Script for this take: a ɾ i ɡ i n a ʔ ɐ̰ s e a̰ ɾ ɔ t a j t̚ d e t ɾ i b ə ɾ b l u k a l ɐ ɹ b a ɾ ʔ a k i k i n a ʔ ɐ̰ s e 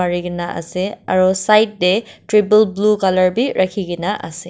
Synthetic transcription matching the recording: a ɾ i ɡ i n a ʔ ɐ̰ s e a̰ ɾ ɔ s a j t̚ d e t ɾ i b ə l b l u k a l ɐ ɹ b i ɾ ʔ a kʰ i ɡ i n a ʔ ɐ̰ s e